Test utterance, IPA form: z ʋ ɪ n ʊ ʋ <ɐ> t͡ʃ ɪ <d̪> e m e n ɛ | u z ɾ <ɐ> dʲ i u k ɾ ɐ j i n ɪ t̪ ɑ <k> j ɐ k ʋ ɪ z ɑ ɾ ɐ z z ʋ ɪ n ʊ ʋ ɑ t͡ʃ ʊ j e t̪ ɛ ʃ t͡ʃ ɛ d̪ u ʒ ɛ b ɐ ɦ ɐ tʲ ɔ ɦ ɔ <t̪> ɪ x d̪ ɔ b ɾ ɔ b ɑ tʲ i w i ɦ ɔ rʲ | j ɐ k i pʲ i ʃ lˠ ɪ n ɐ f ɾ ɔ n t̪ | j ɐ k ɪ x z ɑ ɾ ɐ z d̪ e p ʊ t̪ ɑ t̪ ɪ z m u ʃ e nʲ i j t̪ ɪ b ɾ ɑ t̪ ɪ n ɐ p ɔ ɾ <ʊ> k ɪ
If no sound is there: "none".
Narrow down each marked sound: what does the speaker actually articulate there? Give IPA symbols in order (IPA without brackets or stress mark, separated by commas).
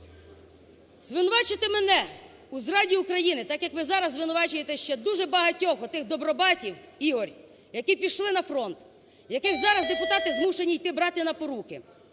ɑ, t̪, ɑ, k, t̪, u